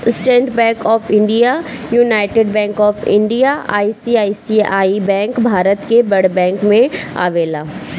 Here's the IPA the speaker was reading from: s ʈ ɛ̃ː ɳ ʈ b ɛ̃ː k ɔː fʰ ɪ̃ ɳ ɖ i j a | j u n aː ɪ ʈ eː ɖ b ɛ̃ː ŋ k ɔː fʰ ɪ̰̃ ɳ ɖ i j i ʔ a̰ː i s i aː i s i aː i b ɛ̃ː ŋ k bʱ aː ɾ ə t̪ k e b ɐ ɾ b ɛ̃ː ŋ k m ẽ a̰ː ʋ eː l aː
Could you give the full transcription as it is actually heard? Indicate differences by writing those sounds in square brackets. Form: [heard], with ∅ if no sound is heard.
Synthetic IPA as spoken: s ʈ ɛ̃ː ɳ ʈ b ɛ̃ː k ɔː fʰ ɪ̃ ɳ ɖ i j a | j u n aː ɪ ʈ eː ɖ b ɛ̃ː ŋ k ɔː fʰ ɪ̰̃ ɳ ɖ i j [a] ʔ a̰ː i s i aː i s i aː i b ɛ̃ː ŋ k bʱ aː ɾ ə t̪ k e b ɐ [ɽ] b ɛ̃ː ŋ k m ẽ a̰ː ʋ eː l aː

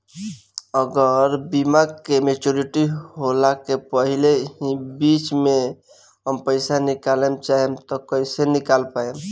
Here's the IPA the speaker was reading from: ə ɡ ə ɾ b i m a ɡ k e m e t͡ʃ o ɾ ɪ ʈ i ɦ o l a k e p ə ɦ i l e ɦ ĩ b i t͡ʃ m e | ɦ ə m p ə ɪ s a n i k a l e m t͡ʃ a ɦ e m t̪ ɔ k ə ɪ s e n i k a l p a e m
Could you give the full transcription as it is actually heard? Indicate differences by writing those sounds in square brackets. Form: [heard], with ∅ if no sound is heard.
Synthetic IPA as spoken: ə ɡ ə ɾ b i m a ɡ k e m e t͡ʃ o ɾ [i] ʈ i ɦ o l a k e p ə ɦ i l e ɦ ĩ b i t͡ʃ m e | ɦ ə m p ə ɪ s a n i k a l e m t͡ʃ a ɦ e m t̪ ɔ k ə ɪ s e n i k a l p a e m

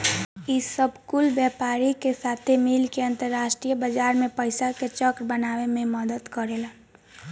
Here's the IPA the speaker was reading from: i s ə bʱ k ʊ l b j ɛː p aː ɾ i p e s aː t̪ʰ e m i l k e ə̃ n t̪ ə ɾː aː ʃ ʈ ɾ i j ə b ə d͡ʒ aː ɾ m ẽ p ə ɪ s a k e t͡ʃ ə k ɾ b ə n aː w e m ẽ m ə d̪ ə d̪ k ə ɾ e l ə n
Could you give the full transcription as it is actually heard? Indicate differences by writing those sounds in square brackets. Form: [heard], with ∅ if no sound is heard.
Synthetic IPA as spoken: i s ə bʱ k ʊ l b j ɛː p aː ɾ i [k] e s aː t̪ʰ e m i l k e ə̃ n t̪ ə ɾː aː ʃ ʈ ɾ i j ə b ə d͡ʒ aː ɾ m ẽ p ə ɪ s a k e t͡ʃ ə k ɾ b ə n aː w e m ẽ m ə d̪ ə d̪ k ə ɾ e l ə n

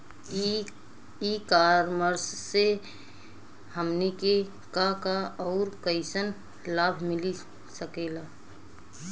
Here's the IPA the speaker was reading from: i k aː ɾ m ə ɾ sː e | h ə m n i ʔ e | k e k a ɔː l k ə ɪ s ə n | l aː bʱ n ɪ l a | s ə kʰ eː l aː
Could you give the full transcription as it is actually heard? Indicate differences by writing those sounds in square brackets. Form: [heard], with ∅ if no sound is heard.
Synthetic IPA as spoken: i k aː ɾ m ə ɾ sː e | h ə m n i [k] e | k [a] k a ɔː [ɾ] k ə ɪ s ə n | l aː bʱ [m] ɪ l [i] | s ə [k] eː l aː

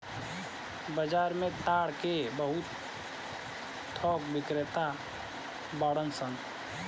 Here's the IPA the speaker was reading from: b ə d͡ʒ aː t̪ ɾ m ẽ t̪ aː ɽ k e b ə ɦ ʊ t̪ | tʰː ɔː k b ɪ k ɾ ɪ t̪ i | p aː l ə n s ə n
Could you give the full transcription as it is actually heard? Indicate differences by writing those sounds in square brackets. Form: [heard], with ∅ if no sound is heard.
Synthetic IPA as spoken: b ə d͡ʒ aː [∅] ɾ m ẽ t̪ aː ɽ k e b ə ɦ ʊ t̪ | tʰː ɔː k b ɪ k ɾ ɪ t̪ [a] | [b] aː [ɽ] ə n s ə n

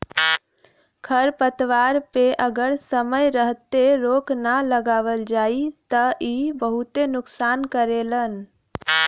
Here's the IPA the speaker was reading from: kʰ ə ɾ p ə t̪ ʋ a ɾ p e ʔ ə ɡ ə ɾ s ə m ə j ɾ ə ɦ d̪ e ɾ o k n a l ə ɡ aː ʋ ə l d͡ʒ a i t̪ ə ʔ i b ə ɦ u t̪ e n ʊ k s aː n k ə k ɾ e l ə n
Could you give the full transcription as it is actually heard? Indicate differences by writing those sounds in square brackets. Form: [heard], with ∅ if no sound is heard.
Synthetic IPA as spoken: kʰ ə ɾ p ə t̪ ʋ a ɾ p e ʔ ə ɡ ə ɾ s ə m ə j ɾ ə ɦ [t̪] e ɾ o k n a l ə ɡ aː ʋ ə l d͡ʒ a i t̪ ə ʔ i b ə ɦ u t̪ e n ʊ k s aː n k ə [∅] ɾ e l ə n

